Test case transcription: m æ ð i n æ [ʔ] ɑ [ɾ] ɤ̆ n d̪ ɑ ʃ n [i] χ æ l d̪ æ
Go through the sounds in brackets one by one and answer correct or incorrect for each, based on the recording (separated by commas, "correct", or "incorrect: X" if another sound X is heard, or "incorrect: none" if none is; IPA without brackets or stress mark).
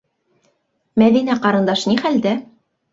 incorrect: q, correct, correct